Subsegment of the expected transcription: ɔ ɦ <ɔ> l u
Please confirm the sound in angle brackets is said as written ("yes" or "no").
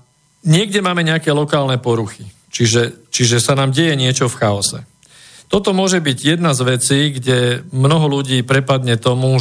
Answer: yes